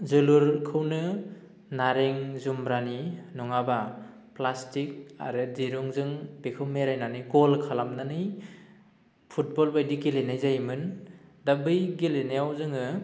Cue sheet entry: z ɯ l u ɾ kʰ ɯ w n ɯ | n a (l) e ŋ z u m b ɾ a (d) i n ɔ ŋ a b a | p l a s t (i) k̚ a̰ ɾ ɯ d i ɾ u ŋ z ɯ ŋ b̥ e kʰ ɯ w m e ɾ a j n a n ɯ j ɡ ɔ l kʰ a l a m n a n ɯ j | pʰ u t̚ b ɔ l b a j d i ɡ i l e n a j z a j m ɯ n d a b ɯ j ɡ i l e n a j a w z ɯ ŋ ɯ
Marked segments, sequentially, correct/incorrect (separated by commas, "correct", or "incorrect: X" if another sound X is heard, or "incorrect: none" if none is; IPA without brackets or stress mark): incorrect: ɾ, incorrect: n, correct